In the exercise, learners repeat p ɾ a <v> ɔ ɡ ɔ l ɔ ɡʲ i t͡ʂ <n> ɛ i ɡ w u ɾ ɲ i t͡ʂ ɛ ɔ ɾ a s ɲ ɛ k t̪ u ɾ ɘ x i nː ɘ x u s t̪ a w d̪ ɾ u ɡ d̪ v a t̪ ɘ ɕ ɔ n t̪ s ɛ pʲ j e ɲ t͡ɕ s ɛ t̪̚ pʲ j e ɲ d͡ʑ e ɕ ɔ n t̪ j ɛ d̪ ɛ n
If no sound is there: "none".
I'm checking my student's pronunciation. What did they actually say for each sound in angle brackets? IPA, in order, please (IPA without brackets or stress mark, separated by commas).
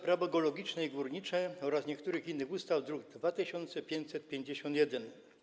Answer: v, n